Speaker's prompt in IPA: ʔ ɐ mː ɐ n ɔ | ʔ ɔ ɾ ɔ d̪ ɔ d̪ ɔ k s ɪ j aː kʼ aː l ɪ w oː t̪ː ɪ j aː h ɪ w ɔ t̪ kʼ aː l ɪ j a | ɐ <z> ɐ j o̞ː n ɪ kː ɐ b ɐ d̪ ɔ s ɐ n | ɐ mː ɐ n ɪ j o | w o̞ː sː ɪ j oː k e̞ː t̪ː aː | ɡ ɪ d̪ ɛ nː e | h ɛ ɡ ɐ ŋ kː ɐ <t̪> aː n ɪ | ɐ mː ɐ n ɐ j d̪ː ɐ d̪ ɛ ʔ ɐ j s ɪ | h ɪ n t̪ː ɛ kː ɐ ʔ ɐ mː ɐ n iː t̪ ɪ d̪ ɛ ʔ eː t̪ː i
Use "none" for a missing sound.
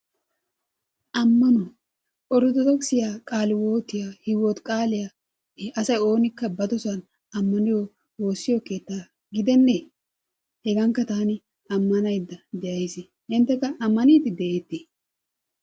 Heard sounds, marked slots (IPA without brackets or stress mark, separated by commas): s, t̪